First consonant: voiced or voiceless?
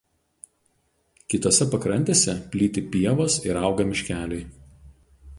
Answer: voiceless